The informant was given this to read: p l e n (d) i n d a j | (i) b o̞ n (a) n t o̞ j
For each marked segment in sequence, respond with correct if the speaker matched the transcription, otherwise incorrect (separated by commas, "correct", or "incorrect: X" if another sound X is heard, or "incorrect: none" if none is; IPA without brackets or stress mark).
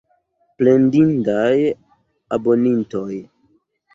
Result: correct, incorrect: a, incorrect: i